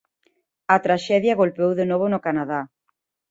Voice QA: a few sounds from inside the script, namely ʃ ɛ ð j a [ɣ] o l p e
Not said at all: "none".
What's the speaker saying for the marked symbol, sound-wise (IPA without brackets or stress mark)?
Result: ɣ